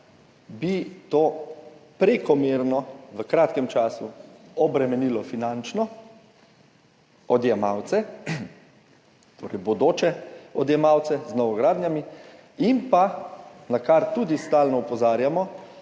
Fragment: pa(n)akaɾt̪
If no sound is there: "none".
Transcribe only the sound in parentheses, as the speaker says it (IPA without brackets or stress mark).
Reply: n